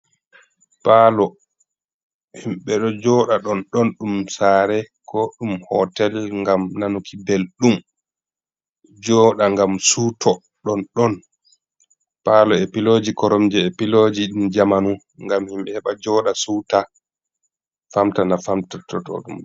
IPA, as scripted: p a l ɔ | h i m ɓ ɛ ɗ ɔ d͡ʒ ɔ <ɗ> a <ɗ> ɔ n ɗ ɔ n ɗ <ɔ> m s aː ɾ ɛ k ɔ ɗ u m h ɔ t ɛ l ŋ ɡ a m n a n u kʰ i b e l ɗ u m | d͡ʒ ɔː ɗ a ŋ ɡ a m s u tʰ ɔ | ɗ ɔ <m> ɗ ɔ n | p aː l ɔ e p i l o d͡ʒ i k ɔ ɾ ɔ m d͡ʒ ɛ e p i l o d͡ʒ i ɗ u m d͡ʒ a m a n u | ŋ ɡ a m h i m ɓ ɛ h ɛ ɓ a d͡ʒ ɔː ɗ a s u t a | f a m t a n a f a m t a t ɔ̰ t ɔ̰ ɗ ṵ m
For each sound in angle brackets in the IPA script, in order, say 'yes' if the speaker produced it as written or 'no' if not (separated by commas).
yes, yes, no, no